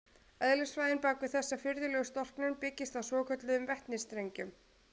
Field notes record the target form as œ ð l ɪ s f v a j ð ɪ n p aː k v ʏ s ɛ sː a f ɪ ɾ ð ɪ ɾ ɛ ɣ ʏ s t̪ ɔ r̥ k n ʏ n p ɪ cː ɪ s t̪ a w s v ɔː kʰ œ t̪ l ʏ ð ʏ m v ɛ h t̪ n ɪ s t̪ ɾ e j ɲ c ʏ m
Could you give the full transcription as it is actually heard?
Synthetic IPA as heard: œ ð l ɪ s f v a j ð ɪ n p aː k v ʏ θ ɛ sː a f ɪ ɾ ð ɪ l ɛ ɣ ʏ s t̪ ɔ r̥ k n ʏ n p ɪ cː ɪ s t̪ a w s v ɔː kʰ œ t̪ l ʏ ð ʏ m v ɛ h t̪ n ɪ s t̪ ɾ e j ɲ c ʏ m

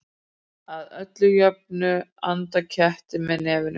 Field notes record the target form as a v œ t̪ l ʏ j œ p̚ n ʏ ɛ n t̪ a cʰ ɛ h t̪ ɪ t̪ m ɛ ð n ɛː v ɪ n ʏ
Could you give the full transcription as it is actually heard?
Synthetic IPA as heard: a ð œ t̪ l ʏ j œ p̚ n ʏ a n t̪ a cʰ ɛ h t̪ ɪ m ɛ ð n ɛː v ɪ n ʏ

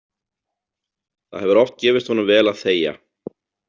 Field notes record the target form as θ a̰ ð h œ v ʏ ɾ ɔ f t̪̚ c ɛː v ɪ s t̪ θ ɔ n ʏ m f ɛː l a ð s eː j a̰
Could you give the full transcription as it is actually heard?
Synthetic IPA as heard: θ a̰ ð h ɛ v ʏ ɾ ɔ f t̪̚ c ɛː v ɪ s t̪ h ɔ n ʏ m v ɛː l a ð θ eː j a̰

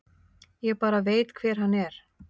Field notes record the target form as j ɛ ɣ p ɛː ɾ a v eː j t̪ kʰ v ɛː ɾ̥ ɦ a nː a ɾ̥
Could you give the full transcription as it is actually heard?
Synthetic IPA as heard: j ɛ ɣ p aː ɾ a v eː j t̪ kʰ v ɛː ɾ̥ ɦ a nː ɛ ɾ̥

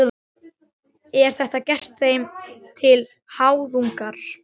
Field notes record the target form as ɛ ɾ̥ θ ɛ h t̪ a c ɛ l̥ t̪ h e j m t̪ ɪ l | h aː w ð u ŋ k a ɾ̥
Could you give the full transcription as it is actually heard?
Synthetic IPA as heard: ɛ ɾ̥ θ ɛ h t̪ a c ɛ r̥ t̪ θ e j m t̪ʰ ɪ l | h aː w ð u ŋ k a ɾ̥

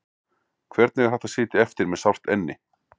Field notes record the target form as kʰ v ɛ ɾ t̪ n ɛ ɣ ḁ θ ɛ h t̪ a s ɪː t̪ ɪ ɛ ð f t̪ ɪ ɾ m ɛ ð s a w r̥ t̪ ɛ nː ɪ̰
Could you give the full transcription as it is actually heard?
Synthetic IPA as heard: kʰ v ɛ ɾ t̪ n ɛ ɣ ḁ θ ɛ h t̪ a s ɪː t̪ ɪ ɛ f t̪ ɪ ɾ m ɛ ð s a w r̥ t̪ ɛ nː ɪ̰

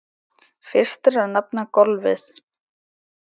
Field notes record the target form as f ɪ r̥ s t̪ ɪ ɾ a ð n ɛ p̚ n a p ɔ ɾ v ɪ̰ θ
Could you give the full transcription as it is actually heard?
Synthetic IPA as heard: f ɪ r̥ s t̪ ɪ ɾ a ð n a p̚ n a k ɔ l v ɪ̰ θ

